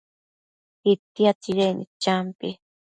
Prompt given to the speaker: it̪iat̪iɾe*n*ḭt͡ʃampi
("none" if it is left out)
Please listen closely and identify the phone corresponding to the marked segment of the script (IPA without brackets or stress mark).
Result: n